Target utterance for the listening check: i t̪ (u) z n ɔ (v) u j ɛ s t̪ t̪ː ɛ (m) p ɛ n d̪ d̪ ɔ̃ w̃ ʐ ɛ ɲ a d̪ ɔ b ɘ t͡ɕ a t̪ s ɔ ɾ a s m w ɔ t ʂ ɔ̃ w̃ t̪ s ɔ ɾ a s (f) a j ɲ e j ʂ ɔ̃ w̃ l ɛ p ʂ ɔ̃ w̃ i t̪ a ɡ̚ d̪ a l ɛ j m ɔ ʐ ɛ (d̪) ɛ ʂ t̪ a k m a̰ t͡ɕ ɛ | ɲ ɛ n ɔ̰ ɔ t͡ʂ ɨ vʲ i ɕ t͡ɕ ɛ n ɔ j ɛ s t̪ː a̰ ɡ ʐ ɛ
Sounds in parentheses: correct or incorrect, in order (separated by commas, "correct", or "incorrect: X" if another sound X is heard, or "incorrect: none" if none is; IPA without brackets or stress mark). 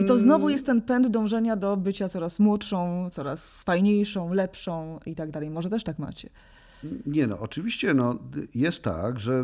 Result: incorrect: ɔ, correct, incorrect: n, correct, incorrect: t̪